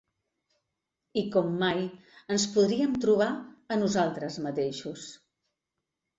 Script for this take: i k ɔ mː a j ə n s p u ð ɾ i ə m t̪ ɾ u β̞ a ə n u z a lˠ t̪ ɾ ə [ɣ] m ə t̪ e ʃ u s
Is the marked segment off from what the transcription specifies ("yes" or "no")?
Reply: yes